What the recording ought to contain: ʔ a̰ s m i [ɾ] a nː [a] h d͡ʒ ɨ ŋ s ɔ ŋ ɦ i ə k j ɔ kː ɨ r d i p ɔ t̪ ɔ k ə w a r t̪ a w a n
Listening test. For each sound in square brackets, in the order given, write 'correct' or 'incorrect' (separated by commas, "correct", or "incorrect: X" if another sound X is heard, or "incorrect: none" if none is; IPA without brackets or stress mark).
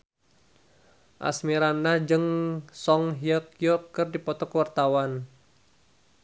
correct, correct